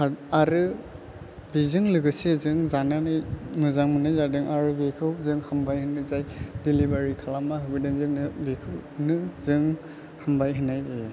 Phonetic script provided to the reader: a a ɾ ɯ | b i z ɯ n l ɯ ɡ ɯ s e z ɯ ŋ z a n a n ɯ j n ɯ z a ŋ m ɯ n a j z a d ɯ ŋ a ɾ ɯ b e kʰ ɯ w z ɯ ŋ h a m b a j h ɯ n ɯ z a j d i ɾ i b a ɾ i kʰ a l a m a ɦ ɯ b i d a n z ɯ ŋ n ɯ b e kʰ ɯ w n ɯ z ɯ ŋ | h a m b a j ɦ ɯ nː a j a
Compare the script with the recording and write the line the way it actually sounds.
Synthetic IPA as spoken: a a ɾ ɯ | b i z ɯ ŋ l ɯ ɡ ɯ s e z ɯ ŋ z a n a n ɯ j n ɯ z a ŋ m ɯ n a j z a d ɯ ŋ a ɾ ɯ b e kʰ ɯ w z ɯ ŋ h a m b a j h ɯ n ɯ z a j d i l i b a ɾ i kʰ a l a m a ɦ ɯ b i d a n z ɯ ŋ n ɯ b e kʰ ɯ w n ɯ z ɯ ŋ | h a m b a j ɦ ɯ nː a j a